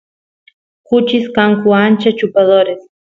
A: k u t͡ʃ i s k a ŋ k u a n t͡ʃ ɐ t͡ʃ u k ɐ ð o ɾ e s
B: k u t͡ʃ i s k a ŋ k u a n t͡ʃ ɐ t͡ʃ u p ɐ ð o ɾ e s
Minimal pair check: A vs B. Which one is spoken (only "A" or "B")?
B